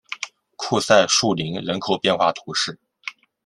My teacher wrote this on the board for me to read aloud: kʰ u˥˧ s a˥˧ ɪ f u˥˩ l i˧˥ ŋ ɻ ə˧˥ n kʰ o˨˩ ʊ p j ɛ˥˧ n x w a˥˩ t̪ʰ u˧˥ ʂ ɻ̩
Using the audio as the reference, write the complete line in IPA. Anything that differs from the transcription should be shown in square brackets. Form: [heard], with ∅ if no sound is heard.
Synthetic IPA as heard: kʰ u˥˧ s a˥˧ ɪ [ʂ] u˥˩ l i˧˥ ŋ ɻ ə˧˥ n kʰ o˨˩ ʊ p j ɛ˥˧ n x w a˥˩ t̪ʰ u˧˥ ʂ ɻ̩